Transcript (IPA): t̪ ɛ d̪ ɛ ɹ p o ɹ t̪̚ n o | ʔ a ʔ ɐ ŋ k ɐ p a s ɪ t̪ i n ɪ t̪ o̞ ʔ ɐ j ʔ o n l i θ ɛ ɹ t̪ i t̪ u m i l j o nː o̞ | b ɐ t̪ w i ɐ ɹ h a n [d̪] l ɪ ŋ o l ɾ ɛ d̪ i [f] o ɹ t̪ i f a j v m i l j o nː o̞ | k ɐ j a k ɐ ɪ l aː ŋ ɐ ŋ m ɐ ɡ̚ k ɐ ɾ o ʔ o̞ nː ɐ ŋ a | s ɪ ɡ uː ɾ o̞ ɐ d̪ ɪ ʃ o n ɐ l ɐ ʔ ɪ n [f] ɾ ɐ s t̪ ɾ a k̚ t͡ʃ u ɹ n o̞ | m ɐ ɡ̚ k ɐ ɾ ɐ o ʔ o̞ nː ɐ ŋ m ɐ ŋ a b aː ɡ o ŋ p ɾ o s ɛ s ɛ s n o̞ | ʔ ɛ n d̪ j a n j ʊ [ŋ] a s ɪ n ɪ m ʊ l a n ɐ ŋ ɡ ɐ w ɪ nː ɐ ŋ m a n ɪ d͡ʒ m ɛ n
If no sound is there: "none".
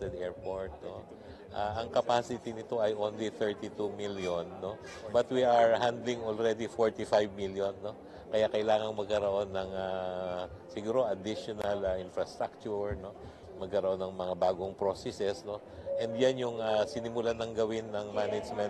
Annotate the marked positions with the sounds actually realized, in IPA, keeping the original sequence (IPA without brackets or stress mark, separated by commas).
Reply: d̪, f, f, ŋ